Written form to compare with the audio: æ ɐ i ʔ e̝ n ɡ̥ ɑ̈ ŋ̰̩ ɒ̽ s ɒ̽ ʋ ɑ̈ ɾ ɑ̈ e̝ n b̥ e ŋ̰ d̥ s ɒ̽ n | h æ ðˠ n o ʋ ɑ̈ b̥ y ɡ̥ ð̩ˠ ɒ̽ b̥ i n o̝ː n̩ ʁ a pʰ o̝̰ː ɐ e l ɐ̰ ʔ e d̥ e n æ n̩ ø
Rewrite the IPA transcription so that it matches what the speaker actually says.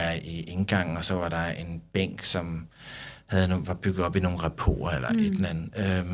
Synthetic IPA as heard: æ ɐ i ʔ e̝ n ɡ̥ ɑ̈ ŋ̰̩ ɒ̽ s ɒ̽ ʋ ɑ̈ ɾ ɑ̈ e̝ n b̥ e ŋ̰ ɡ̥ s ɒ̽ m | h æ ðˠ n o ʋ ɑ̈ b̥ y ɡ̥ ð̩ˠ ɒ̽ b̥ i n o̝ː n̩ ʁ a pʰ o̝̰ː ɐ e l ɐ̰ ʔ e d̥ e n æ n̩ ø